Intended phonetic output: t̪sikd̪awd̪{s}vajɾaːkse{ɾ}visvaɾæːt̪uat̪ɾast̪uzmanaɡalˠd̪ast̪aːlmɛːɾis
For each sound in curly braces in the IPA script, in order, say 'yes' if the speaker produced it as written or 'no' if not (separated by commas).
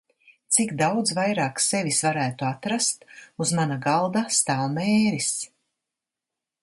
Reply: no, no